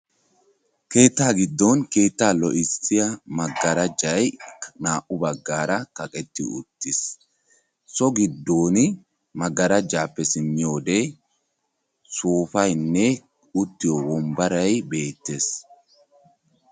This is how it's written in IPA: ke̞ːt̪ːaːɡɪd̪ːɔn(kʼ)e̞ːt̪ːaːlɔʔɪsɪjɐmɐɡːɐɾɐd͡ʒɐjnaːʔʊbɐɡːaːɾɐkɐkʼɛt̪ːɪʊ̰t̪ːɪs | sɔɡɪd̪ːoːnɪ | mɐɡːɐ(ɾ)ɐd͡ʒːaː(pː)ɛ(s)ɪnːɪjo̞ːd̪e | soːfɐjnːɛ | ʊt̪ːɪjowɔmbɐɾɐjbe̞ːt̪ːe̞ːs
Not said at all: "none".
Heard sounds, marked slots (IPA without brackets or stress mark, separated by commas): k, ɾ, pː, s